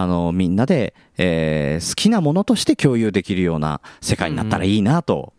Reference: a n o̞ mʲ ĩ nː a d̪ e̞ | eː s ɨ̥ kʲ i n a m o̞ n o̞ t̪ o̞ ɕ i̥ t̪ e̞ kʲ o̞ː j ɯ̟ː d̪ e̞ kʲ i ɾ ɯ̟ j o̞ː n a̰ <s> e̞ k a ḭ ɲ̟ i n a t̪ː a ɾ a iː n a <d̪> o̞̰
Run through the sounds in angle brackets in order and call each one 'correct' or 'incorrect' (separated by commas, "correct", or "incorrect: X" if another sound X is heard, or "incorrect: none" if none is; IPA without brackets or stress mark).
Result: correct, incorrect: t̪